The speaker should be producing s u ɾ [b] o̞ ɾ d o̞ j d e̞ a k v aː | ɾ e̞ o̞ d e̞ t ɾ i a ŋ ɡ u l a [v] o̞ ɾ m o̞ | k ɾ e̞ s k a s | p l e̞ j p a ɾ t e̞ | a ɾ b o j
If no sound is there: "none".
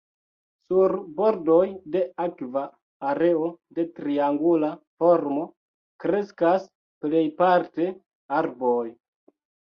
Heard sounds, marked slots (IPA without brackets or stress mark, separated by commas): b, f